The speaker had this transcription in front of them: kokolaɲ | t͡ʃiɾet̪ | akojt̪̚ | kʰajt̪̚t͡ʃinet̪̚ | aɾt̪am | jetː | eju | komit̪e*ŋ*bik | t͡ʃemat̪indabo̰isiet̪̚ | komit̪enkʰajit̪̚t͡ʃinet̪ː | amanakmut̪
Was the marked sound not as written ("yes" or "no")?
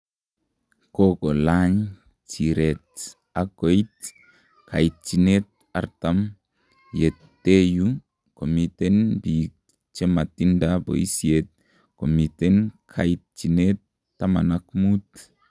yes